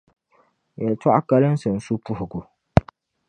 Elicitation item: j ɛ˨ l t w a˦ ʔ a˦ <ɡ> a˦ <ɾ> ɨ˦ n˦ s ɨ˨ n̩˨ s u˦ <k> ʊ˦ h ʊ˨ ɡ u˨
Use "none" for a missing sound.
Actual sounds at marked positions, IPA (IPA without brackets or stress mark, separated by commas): k, l, p